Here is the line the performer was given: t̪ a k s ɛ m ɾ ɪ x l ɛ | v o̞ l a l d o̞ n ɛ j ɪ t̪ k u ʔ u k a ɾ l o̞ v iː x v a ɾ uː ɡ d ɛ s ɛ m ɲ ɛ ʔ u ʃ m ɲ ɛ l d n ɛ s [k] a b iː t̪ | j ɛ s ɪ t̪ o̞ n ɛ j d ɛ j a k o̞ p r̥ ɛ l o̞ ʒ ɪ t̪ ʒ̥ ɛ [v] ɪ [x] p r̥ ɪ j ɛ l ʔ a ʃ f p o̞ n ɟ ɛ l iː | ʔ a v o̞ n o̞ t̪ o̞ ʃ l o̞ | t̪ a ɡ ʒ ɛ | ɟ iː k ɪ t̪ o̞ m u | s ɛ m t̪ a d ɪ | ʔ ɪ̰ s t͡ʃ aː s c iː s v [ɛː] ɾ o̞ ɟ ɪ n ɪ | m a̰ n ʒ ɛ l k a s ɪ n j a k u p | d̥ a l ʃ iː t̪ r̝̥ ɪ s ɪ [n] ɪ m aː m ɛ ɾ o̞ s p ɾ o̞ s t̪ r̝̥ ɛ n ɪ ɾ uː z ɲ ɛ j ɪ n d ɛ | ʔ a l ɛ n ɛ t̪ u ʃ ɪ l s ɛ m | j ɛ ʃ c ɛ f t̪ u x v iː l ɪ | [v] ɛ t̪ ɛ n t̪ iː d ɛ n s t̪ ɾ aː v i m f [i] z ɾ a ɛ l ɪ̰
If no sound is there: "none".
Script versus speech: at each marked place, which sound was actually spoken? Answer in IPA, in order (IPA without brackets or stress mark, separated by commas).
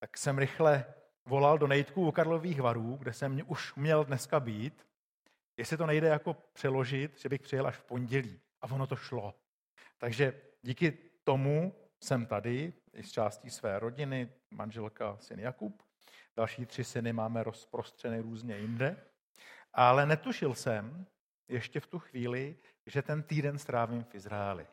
k, b, x, ɛː, n, ʒ, ɪ